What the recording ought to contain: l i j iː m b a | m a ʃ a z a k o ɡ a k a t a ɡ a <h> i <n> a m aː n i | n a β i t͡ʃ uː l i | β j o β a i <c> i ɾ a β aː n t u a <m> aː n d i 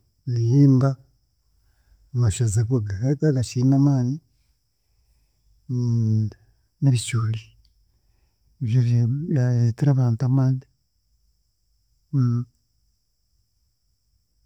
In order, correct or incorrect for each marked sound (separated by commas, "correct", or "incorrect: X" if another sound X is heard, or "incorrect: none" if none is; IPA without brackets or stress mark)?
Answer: incorrect: ʃ, correct, incorrect: t, correct